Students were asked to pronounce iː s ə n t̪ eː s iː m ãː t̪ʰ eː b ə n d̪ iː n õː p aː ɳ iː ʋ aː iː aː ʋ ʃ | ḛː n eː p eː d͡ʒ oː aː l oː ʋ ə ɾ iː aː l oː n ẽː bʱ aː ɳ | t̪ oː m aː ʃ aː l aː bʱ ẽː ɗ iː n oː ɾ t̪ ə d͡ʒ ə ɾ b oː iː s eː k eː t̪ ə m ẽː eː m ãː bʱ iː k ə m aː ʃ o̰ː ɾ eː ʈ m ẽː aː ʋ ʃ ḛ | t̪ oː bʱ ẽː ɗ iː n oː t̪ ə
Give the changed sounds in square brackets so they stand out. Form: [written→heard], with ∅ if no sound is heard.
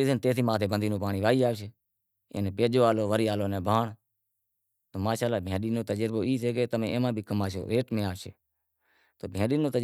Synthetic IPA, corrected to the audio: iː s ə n t̪ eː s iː m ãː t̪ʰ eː b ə n d̪ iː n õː p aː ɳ iː ʋ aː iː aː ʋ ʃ | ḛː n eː p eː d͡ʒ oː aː l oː ʋ ə ɾ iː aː l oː n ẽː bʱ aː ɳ | t̪ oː m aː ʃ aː l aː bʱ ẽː ɗ iː n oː [ɾ→∅] t̪ ə d͡ʒ ə ɾ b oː iː s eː k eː t̪ ə m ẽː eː m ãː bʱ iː k ə m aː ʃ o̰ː ɾ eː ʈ m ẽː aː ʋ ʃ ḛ | t̪ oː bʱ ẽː ɗ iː n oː t̪ ə

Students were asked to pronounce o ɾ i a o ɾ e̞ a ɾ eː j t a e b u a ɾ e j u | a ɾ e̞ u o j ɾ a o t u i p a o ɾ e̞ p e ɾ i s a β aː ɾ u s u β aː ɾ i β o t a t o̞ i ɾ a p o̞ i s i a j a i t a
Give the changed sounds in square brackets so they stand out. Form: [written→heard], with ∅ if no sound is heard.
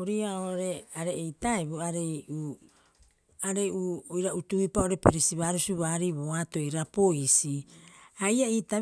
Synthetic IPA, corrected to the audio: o ɾ i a o ɾ e̞ a ɾ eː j t a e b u a ɾ e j u | a ɾ e̞ u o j ɾ a [o→u] t u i p a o ɾ e̞ p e ɾ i s [a→i] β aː ɾ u s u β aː ɾ i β o [t→∅] a t o̞ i ɾ a p o̞ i s i a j a i t a

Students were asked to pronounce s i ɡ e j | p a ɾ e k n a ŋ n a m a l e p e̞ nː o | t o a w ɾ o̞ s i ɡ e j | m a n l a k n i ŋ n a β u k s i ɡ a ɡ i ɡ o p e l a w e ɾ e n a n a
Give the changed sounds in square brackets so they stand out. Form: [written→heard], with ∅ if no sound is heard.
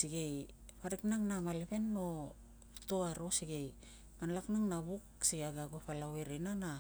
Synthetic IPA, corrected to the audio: s i ɡ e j | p a ɾ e k n a ŋ n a m a l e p e̞ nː o | t o a [w→∅] ɾ o̞ s i ɡ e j | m a n l a k n [i→a] ŋ n a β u k s i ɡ a ɡ [i→a] ɡ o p [e→a] l a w e ɾ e n a n a

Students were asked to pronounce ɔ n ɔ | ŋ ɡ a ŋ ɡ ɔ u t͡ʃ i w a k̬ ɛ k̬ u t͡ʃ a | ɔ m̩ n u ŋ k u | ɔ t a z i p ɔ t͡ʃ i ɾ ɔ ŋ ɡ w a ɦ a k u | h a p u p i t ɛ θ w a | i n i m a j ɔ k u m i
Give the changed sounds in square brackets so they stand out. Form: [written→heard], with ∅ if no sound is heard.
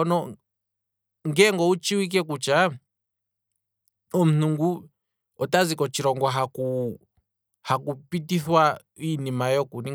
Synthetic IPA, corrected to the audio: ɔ n ɔ | ŋ ɡ [a→ɛ] ŋ ɡ ɔ u t͡ʃ i w [a→i] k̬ ɛ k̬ u t͡ʃ a | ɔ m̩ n u ŋ [k→ɡ] u | ɔ t a z i [p→k] ɔ t͡ʃ i ɾ ɔ ŋ ɡ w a ɦ a k u | h a [p→k] u p i t [ɛ→i] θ w a | i n i m a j ɔ k u [m→n] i

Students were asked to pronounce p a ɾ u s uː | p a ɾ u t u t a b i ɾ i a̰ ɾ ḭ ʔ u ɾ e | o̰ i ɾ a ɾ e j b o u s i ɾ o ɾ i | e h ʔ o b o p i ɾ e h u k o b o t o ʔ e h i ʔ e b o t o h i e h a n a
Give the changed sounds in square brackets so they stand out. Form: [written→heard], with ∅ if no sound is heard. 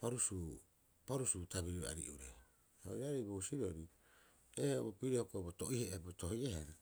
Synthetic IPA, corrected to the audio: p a ɾ u s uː | p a ɾ u [t→s] u t a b i ɾ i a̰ ɾ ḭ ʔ u ɾ e | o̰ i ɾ a ɾ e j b o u s i ɾ o ɾ i | e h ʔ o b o p i ɾ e h [u→o] k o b o t o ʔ [e→i] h [i→e] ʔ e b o t o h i e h a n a

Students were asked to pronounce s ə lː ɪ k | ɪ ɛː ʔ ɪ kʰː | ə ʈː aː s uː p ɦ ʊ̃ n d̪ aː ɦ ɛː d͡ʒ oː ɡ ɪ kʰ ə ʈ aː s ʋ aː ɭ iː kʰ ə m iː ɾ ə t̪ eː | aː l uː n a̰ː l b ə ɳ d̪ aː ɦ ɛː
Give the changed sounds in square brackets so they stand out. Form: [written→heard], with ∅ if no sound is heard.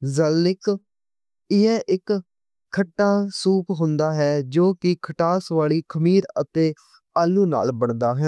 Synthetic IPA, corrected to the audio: [s→z] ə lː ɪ k | ɪ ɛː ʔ ɪ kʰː | ə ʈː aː s uː p ɦ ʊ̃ n d̪ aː ɦ ɛː d͡ʒ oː [ɡ→k] ɪ kʰ ə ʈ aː s ʋ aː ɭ iː kʰ ə m iː ɾ ə t̪ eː | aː l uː n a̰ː l b ə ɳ d̪ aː ɦ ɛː

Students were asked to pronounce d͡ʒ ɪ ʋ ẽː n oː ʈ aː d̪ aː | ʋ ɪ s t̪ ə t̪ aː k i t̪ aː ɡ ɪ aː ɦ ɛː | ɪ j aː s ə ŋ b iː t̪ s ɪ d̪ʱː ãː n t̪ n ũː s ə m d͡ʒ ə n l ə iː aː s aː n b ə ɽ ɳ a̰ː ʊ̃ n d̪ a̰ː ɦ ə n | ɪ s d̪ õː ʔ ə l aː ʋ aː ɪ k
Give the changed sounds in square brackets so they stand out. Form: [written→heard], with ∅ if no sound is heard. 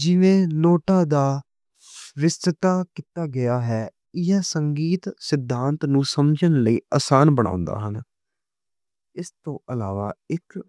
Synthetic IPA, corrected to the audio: d͡ʒ ɪ ʋ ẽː n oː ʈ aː d̪ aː | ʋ ɪ s t̪ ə t̪ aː k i t̪ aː ɡ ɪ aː ɦ ɛː | ɪ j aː s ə ŋ [b→ɡ] iː t̪ s ɪ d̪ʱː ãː n t̪ n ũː s ə m d͡ʒ ə n l ə iː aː s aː n b ə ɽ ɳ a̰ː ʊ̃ n d̪ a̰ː ɦ ə n | ɪ s [d̪→t̪] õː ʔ ə l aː ʋ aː ɪ k

